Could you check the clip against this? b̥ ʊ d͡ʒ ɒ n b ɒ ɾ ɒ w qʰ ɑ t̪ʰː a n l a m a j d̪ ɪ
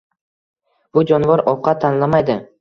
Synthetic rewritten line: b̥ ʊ d͡ʒ ɒ n v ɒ ɾ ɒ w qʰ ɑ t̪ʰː a n l a m a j d̪ ɪ